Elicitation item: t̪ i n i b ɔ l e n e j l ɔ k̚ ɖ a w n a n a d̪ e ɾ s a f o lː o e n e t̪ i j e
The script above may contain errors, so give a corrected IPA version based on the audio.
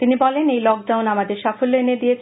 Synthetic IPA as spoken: t̪ i n i b ɔ l e n e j l ɔ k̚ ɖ a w n a m a d̪ e ɾ ʃ a f o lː o e n e d̪ i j e